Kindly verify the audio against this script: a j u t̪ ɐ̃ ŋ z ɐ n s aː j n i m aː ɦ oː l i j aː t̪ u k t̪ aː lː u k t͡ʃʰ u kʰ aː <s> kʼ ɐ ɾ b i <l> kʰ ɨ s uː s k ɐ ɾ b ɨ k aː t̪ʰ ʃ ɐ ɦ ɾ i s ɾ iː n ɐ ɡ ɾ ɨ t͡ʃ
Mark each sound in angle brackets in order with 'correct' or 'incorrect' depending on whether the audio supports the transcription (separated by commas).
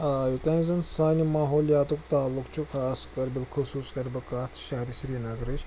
correct, correct